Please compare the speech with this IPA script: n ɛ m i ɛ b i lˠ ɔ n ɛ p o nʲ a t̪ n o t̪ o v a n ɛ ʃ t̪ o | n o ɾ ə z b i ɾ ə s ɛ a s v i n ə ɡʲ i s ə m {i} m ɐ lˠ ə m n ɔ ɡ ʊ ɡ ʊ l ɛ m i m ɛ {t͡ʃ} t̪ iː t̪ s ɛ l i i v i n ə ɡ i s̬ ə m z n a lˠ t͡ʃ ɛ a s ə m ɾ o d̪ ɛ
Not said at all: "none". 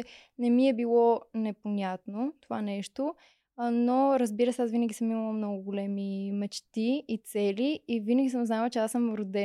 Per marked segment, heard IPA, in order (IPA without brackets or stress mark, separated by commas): i, t͡ʃ